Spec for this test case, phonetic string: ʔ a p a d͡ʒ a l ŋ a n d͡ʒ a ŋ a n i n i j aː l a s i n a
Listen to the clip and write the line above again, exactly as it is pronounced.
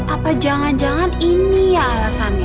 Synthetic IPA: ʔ a p a d͡ʒ a ŋ a n d͡ʒ a ŋ a n i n i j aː l a s a n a